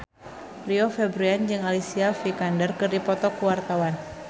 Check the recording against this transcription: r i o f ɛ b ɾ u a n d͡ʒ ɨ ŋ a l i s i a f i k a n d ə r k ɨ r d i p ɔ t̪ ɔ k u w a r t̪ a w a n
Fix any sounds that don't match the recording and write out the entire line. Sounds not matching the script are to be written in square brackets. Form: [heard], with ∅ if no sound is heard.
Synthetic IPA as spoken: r i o f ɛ b ɾ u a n d͡ʒ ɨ ŋ a l i s i a f i k a n d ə r k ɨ r d i p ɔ t̪ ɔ k u w a r t̪ a w a n